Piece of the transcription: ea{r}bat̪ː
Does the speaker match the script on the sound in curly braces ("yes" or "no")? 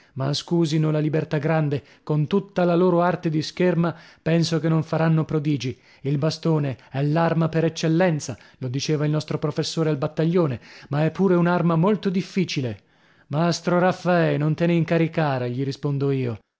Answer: no